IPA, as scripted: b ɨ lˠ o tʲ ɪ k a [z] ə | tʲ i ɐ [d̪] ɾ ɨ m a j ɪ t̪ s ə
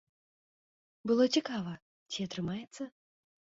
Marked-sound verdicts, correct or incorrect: incorrect, incorrect

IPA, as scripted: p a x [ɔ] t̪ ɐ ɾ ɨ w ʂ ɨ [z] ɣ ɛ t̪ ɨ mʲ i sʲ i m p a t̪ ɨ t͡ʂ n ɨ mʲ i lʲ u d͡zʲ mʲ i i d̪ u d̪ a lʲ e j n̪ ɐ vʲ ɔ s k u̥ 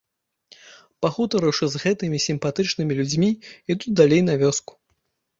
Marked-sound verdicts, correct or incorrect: incorrect, correct

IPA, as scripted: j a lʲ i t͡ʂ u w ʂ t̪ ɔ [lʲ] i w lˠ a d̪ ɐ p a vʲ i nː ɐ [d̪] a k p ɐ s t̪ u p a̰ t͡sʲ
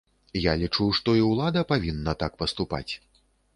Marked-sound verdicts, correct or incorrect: incorrect, incorrect

